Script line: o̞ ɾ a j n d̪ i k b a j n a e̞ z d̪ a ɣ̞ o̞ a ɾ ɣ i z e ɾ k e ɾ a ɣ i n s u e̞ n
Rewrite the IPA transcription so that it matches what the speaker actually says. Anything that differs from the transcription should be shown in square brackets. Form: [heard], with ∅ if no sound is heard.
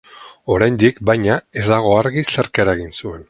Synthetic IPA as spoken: o̞ ɾ a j n d̪ i k b a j [ɲ] a e̞ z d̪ a ɣ̞ o̞ a ɾ ɣ i [s] e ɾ k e ɾ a ɣ i n s u e̞ n